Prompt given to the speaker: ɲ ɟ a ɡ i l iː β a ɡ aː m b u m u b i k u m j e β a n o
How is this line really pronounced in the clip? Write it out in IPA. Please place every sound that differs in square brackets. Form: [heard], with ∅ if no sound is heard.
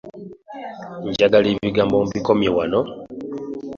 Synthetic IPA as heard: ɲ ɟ a ɡ [a] l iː β [i] ɡ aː m b [o] m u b i k [o] m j e [w] a n o